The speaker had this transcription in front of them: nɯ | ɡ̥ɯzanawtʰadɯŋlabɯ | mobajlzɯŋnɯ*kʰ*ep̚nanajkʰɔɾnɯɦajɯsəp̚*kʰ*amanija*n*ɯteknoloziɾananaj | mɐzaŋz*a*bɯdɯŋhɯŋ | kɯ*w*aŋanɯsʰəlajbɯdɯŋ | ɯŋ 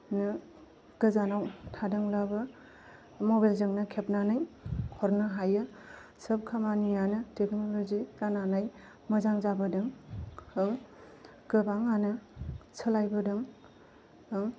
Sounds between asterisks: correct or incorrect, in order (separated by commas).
correct, correct, correct, correct, incorrect